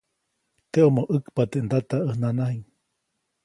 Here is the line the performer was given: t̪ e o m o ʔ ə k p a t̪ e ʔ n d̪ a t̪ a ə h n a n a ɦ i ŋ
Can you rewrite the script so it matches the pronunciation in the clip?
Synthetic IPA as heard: t̪ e o m o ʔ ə k p a t̪ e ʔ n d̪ a t̪ a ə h n a n a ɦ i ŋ